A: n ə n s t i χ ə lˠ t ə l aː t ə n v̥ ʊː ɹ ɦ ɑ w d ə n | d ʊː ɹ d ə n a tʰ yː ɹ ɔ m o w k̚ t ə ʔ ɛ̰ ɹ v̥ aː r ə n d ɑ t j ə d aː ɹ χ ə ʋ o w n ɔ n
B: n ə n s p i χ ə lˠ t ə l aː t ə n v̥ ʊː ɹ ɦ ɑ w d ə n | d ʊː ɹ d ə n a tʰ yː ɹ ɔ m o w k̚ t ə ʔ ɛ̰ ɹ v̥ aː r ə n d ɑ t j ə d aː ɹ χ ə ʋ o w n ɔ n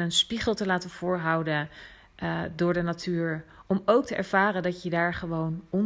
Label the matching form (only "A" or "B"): B